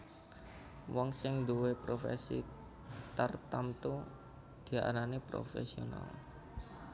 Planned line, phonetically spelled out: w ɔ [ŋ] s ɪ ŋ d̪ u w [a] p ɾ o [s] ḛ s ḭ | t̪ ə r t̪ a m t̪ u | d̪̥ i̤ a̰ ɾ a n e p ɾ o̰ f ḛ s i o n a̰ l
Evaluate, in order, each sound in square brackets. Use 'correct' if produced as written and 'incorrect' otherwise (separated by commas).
correct, incorrect, incorrect